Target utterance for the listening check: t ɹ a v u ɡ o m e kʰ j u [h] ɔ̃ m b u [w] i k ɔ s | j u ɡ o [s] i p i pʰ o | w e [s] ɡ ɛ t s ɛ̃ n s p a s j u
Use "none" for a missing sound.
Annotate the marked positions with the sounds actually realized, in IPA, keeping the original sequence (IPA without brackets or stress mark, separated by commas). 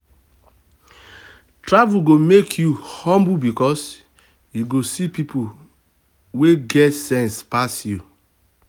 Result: h, b, s, none